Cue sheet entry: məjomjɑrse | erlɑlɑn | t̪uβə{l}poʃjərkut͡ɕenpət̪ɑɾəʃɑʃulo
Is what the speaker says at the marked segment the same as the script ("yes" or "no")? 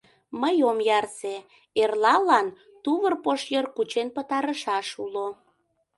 no